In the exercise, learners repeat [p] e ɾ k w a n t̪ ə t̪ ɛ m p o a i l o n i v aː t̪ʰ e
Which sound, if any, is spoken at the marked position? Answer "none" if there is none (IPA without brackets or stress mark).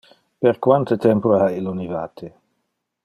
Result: p